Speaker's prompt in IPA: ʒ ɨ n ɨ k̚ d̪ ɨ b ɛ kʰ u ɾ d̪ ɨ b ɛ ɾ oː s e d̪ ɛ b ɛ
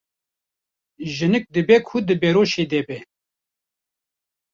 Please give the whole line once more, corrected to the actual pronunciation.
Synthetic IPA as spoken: ʒ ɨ n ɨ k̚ d̪ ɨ b ɛ kʰ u d̪ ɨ b ɛ ɾ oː ʃ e d̪ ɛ b ɛ